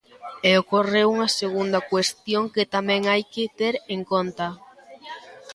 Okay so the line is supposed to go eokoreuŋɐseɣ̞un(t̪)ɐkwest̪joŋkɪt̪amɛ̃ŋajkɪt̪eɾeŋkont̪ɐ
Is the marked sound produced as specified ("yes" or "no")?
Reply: no